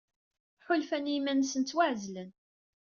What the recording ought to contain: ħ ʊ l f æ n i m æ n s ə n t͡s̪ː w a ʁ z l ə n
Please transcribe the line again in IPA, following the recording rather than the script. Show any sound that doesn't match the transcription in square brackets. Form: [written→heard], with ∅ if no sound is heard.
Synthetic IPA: ħ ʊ l f æ n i m æ n s ə n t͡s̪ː w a [ʁ→ʕ] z l ə n

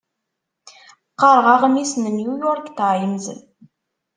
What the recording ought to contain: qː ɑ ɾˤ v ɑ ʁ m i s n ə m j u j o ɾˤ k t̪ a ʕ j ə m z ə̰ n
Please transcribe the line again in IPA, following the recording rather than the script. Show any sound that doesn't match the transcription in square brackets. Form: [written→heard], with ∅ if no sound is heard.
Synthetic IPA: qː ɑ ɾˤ [v→ʁ] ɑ ʁ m i s n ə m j u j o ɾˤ k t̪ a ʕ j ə m z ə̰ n

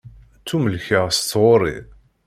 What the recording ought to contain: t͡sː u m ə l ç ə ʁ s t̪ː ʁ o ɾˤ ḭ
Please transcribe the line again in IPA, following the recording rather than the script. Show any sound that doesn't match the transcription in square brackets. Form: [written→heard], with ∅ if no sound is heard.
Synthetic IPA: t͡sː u m ə l ç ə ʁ s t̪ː ʁ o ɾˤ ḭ

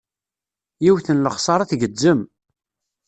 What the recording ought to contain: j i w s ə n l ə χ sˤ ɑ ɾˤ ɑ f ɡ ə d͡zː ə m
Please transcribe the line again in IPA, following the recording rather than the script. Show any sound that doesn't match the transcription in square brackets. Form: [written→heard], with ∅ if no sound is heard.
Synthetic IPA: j i w [s→θ] ə n l ə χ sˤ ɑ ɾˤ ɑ [f→θ] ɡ ə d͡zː ə m

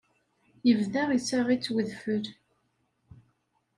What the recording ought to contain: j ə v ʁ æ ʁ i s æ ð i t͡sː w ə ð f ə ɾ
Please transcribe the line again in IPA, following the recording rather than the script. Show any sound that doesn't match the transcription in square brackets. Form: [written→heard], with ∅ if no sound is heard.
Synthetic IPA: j ə v [ʁ→ð] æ ʁ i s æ [ð→ʁ] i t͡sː w ə ð f ə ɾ

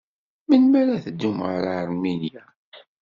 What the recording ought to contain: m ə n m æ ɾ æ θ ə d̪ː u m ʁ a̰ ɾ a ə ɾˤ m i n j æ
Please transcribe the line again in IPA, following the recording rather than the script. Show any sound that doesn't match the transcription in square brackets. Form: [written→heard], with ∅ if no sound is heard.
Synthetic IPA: m ə n m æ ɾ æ θ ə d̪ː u m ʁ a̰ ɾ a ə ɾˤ m i n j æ

